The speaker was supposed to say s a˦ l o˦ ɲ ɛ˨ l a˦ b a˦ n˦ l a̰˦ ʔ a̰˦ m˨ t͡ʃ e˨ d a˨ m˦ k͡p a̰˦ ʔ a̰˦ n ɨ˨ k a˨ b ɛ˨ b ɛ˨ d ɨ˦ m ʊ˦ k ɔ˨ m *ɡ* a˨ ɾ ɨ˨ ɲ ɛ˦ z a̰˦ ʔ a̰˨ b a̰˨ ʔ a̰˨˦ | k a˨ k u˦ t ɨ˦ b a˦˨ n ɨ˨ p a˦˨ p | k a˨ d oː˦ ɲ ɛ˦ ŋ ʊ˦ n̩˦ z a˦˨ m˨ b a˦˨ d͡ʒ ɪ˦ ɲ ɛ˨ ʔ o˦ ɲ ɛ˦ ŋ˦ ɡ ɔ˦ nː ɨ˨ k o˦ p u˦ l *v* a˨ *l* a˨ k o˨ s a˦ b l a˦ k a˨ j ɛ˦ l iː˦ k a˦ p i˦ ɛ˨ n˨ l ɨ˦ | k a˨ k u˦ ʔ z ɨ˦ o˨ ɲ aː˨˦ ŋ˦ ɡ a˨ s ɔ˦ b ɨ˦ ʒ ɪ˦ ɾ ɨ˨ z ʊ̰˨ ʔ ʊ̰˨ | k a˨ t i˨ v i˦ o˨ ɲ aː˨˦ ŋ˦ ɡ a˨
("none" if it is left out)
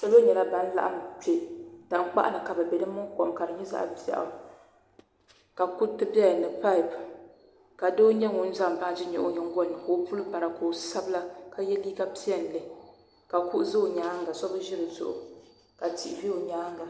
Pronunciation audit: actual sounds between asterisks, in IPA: k, b, ɾ

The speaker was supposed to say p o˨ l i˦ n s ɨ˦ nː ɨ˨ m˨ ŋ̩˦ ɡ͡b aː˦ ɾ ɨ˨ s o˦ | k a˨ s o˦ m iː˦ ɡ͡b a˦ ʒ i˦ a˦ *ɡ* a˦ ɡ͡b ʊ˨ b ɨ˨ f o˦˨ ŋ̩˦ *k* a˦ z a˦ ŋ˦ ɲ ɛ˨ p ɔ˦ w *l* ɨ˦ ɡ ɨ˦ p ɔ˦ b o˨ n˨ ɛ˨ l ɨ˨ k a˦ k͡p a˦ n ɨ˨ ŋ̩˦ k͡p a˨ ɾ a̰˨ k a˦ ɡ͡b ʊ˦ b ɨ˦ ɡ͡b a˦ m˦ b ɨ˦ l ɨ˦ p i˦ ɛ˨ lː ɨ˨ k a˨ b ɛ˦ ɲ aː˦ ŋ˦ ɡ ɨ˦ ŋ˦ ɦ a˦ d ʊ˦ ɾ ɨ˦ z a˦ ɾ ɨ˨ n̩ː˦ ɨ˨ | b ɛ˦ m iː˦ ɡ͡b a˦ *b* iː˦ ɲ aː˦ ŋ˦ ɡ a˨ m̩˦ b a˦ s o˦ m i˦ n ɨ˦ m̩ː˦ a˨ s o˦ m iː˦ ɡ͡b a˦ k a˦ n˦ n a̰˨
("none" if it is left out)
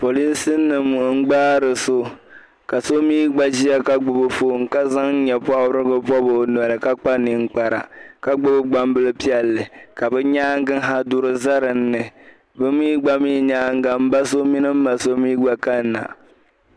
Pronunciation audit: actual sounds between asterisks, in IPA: k, k, ɾ, m

